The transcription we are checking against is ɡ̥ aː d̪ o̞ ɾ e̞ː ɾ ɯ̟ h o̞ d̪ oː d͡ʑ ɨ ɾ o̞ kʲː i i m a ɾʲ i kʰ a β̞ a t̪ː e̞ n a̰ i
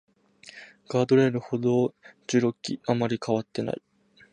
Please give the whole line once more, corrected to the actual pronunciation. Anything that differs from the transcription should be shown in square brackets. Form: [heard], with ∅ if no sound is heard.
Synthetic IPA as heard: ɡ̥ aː d̪ o̞ ɾ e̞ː ɾ ɯ̟ h o̞ d̪ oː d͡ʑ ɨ ɾ o̞ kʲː i [a] m a ɾʲ i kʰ a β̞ a t̪ː e̞ n a̰ i